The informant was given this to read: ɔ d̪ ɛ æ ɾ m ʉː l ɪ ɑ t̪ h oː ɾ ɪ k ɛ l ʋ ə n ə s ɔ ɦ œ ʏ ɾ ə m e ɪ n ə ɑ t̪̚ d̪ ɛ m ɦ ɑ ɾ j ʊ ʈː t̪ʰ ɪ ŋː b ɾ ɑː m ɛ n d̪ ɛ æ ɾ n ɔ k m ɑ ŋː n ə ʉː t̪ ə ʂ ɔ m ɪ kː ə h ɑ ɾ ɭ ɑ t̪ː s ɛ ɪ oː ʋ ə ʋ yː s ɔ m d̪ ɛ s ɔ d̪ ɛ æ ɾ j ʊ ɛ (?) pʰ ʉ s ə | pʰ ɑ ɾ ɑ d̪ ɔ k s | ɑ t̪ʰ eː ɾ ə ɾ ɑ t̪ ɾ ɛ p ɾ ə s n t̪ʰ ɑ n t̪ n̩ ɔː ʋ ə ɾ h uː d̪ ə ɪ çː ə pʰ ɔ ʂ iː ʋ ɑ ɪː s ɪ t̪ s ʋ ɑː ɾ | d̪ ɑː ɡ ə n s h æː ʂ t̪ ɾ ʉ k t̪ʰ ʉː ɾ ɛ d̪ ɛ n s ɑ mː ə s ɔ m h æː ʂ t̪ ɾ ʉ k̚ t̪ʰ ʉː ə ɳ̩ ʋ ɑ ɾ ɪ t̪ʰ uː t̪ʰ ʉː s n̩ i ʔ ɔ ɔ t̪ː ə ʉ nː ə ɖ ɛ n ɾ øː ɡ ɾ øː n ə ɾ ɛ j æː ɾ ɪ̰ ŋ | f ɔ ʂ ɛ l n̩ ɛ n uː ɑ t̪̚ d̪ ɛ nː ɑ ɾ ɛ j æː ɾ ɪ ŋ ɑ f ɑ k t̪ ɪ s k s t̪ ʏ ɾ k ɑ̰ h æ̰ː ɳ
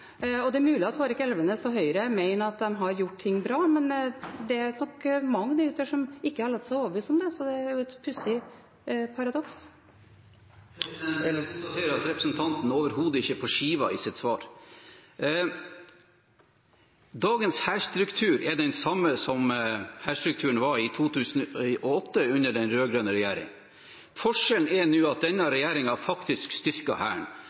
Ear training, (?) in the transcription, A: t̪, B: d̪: A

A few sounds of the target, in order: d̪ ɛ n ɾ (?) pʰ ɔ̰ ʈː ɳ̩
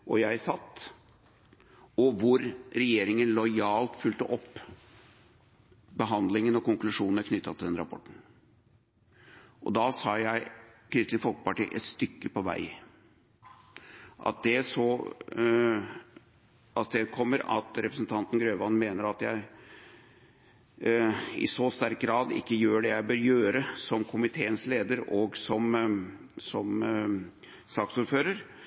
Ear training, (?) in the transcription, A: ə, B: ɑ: B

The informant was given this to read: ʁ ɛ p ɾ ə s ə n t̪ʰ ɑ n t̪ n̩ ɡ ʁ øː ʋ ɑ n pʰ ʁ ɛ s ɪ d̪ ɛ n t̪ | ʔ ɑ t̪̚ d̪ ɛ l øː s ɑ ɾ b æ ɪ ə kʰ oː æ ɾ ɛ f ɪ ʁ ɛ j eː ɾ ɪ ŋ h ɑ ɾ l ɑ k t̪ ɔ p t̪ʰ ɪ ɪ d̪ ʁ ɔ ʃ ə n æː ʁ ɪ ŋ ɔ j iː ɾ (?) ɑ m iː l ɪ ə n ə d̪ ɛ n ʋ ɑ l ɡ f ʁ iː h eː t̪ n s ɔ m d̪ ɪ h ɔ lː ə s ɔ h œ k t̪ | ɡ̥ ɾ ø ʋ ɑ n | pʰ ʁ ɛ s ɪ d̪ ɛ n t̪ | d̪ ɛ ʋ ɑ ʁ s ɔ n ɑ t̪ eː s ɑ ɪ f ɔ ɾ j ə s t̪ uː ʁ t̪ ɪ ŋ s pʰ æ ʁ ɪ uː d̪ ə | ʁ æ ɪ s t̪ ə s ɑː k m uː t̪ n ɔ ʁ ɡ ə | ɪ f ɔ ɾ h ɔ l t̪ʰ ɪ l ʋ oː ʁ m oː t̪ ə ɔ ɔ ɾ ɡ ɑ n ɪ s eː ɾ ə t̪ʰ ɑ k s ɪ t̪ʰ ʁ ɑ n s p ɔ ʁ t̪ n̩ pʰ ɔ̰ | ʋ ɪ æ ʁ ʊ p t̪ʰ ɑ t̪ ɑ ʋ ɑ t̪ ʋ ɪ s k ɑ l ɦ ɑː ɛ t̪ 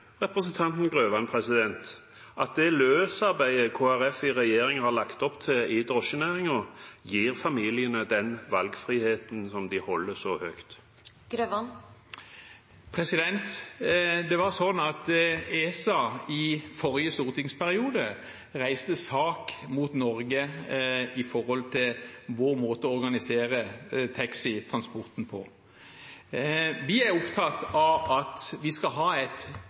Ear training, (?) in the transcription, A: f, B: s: A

